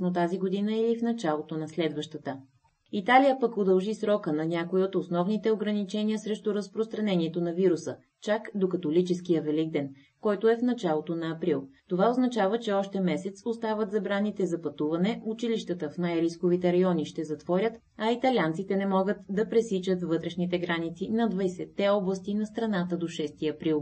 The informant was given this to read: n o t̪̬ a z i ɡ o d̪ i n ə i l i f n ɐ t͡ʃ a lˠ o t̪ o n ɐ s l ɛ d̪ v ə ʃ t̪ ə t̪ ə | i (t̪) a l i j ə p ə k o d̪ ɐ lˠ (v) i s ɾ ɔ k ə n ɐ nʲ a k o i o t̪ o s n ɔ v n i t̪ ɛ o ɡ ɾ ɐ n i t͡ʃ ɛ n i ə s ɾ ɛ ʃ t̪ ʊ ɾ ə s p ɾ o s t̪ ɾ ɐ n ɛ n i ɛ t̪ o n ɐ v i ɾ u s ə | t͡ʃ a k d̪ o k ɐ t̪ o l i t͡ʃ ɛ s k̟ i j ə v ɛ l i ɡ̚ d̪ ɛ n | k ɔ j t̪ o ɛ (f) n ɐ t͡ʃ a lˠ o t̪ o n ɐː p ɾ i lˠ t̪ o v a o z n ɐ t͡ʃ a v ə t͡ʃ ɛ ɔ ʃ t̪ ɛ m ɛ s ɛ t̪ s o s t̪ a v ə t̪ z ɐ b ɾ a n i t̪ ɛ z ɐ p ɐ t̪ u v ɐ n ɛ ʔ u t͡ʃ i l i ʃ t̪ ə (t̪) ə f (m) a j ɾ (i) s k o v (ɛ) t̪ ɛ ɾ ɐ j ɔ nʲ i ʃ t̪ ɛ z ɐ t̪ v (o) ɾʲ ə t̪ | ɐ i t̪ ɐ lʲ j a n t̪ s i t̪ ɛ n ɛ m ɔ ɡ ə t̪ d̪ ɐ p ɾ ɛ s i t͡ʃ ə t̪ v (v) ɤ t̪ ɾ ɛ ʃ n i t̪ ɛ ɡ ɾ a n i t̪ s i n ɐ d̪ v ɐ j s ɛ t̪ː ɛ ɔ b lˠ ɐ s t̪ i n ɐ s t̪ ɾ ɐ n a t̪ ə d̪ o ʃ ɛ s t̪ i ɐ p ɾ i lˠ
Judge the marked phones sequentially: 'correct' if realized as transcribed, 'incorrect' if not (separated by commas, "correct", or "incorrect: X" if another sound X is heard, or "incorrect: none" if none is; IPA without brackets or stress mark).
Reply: correct, incorrect: ʒ, correct, correct, incorrect: n, correct, incorrect: i, incorrect: ɔ, correct